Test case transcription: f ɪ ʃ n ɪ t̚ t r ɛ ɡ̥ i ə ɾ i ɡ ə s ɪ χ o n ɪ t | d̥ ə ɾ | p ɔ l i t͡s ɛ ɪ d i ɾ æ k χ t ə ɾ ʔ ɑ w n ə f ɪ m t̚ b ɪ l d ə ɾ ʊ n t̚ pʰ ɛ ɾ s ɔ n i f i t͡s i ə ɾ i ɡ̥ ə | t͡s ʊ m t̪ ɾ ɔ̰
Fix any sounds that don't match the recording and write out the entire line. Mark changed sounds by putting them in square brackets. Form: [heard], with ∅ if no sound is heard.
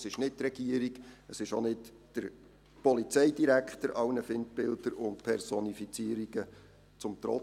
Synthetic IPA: [s] ɪ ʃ n ɪ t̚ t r ɛ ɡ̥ i ə ɾ i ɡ ə s ɪ [ʃ] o n ɪ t | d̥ ə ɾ | p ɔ l i t͡s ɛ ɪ d i ɾ æ k χ t ə ɾ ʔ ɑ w n ə f ɪ [n] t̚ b ɪ l d ə ɾ ʊ n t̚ pʰ ɛ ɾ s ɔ n i f i t͡s i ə ɾ i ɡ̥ ə | t͡s ʊ m t̪ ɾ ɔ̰